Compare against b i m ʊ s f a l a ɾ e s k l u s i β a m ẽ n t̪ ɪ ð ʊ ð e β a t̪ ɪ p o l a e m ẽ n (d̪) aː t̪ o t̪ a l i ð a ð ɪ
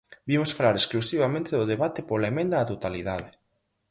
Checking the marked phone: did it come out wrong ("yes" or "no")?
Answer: no